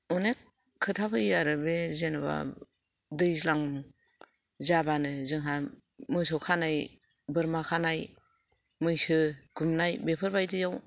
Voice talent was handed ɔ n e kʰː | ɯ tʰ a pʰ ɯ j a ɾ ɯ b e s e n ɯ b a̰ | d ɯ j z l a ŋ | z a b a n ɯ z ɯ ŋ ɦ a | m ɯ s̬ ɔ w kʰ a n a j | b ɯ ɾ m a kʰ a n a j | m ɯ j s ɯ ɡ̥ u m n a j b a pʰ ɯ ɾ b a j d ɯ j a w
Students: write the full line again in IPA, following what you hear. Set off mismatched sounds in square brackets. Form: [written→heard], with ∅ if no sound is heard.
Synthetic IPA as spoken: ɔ n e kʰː | ɯ tʰ a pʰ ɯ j a ɾ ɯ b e [s→z] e n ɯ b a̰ | d ɯ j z l a ŋ | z a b a n ɯ z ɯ ŋ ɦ a | m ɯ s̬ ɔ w kʰ a n a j | b ɯ ɾ m a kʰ a n a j | m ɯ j s ɯ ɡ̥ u m n a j b [a→e] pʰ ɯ ɾ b a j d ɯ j a w